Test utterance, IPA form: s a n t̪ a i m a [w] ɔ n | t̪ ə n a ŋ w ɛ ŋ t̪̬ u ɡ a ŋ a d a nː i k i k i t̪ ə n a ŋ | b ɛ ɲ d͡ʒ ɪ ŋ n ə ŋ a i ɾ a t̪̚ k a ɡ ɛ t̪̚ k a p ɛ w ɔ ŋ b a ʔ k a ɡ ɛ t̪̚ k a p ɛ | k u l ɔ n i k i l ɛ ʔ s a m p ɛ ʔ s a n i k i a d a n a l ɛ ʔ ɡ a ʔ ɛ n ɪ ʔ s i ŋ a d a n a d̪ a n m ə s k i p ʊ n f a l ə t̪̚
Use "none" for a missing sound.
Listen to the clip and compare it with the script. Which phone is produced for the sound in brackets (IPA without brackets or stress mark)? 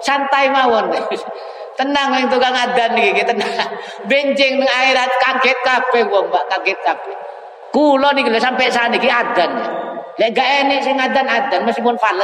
w